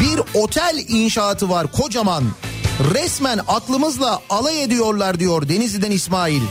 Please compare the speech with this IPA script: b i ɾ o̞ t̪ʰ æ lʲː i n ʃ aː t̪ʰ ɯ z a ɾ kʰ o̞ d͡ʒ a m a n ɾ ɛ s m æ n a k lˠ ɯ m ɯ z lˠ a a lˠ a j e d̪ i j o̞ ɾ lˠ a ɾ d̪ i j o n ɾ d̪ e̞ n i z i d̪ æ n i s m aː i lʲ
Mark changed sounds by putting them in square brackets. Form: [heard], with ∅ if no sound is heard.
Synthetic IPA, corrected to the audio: b i ɾ o̞ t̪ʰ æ [lʲ] i n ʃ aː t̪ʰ ɯ [v] a ɾ kʰ o̞ d͡ʒ a m a n ɾ ɛ s m æ n a k lˠ ɯ m ɯ z lˠ a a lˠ a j e d̪ i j o̞ ɾ lˠ a ɾ d̪ i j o [∅] ɾ d̪ e̞ n i z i d̪ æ n i s m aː i lʲ